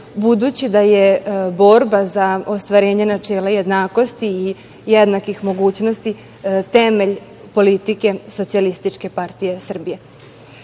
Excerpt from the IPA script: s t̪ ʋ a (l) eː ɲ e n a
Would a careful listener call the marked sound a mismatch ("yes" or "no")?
yes